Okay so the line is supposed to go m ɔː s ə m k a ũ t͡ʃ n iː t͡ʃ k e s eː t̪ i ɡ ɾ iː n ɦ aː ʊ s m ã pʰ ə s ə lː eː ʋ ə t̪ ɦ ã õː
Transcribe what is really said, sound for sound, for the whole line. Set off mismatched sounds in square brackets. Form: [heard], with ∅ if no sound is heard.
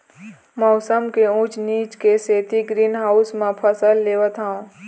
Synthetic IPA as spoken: m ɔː s ə m k [e] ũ t͡ʃ n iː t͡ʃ k e s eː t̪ i ɡ ɾ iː n ɦ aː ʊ s m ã pʰ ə s ə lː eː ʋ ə t̪ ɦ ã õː

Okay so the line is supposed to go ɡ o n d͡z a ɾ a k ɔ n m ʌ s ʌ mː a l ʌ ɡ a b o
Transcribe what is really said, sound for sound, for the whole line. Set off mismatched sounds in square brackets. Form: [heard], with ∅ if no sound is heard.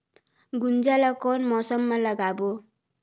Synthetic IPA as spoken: ɡ [u] n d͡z a [l] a k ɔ n m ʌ s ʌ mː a l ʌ ɡ a b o

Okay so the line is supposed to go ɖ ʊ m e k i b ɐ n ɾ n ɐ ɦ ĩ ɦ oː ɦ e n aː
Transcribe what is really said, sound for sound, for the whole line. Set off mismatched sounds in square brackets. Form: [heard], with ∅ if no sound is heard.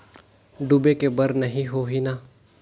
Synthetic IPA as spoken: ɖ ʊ [b] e k [e] b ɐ [∅] ɾ n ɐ ɦ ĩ ɦ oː ɦ [i] n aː

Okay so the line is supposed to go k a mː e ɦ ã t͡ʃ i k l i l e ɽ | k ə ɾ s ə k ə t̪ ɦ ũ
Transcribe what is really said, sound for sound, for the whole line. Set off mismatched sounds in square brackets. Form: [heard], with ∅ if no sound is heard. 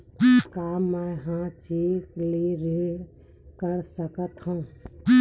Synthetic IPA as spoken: k a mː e ɦ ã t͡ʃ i k l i [ɾ] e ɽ | k ə ɾ s ə k ə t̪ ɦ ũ

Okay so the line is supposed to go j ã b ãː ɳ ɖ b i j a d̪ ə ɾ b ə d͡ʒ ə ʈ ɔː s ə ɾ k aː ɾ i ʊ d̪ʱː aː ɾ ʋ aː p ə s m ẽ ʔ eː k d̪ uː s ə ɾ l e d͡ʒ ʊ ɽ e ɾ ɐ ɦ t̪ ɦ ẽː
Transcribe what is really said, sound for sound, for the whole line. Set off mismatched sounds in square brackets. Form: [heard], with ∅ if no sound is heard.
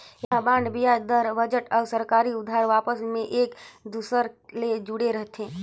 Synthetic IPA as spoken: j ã b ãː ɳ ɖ b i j a d̪ ə ɾ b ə d͡ʒ ə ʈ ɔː s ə ɾ k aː ɾ i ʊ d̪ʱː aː ɾ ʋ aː p ə s m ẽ ʔ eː k d̪ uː s ə ɾ l e d͡ʒ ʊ ɽ e ɾ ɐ ɦ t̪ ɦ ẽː

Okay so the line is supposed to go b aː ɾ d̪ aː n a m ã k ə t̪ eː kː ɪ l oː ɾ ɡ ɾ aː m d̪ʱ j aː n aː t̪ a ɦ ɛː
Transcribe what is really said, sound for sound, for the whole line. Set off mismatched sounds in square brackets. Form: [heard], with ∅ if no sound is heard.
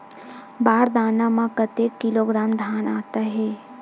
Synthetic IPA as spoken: b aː ɾ d̪ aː n a m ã k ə t̪ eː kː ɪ l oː [∅] ɡ ɾ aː m d̪ʱ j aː n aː t̪ a ɦ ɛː

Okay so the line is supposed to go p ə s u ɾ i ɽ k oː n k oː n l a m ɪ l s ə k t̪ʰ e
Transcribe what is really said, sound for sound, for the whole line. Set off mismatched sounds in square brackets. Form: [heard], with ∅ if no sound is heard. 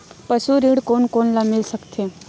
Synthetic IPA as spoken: p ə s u ɾ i ɽ k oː n k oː n l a m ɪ l s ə k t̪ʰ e

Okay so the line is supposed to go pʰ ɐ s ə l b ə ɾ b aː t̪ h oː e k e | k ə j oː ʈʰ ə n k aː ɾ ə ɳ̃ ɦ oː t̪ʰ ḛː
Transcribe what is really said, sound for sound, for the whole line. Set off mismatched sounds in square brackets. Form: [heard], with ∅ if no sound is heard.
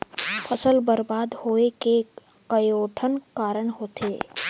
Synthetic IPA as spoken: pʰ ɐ s ə l b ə ɾ b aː [d̪] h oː e k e | k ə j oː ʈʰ ə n k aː ɾ ə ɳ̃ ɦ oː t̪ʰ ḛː

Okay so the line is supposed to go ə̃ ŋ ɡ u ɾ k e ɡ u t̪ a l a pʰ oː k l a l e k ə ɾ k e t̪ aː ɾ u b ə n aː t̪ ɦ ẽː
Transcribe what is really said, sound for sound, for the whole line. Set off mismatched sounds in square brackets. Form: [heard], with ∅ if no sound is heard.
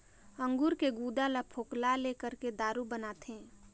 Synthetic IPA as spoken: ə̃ ŋ ɡ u ɾ k e ɡ u [d̪] a l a pʰ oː k l a l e k ə ɾ k e [d̪] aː ɾ u b ə n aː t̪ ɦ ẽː

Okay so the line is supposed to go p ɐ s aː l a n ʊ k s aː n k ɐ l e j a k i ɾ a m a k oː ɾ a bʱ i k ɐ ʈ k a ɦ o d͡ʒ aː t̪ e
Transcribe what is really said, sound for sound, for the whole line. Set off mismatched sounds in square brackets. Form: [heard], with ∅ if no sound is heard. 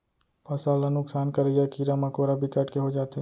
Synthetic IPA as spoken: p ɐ s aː l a n ʊ k s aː n k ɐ [ɾ] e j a k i ɾ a m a k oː ɾ a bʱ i k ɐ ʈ k [e] ɦ o d͡ʒ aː t̪ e

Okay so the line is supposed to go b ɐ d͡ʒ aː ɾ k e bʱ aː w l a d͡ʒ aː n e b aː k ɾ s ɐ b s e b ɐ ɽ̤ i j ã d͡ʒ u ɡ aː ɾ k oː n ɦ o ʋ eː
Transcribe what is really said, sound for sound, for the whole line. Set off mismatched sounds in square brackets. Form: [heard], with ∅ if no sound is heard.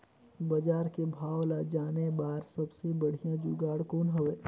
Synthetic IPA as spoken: b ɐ d͡ʒ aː ɾ k e bʱ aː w l a d͡ʒ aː n e b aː [∅] ɾ s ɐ b s e b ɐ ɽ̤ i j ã d͡ʒ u ɡ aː [ɽ] k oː n ɦ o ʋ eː

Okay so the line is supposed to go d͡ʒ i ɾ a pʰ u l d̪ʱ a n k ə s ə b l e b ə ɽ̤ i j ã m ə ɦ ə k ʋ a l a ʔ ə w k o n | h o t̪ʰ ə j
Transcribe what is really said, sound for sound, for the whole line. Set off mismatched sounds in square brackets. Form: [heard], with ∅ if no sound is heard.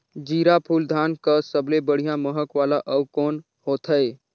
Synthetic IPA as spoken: d͡ʒ i ɾ a pʰ u l d̪ʱ a n k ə s ə b l e b ə ɽ̤ i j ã m ə ɦ ə k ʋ a l a ʔ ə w k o n | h o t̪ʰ ə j

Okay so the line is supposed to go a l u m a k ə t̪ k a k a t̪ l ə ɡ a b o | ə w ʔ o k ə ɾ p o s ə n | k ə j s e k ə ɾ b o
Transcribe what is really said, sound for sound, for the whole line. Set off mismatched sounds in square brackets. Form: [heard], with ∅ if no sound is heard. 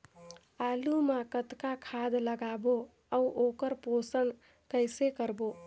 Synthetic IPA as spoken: a l u m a k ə t̪ k a [kʰ] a [d̪] l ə ɡ a b o | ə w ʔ o k ə ɾ p o s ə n | k ə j s e k ə ɾ b o

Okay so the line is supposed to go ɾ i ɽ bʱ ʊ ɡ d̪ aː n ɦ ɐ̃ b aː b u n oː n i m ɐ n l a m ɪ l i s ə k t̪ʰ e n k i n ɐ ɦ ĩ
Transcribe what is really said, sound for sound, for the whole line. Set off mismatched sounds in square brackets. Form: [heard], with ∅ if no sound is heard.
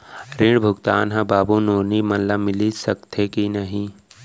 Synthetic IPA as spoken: ɾ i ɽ bʱ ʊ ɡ [t̪] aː n ɦ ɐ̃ b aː b u n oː n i m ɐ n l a m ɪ l i s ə k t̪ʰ e [∅] k i n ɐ ɦ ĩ

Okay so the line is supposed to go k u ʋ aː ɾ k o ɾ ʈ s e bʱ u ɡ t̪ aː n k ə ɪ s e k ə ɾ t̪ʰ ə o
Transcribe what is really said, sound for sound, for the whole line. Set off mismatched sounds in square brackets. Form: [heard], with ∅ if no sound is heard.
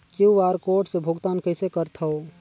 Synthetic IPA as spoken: k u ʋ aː ɾ k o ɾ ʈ s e bʱ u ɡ t̪ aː n k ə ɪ s e k ə ɾ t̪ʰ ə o

